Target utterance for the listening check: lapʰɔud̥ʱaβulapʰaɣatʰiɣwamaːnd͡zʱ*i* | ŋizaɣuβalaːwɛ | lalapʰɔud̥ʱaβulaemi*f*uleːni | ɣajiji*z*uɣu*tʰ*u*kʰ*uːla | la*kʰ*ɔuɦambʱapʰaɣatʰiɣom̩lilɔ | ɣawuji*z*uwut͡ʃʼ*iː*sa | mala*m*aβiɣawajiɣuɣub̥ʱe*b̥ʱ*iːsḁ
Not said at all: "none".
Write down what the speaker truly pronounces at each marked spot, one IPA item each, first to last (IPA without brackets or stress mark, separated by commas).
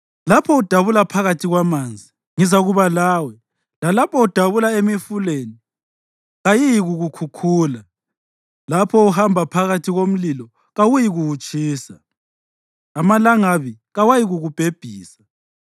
i, f, ɣ, kʰ, kʰ, pʰ, ɣ, iː, ŋ, b̥ʱ